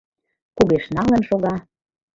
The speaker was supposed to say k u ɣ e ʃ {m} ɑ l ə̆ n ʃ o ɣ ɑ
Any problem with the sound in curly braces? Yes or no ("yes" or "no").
yes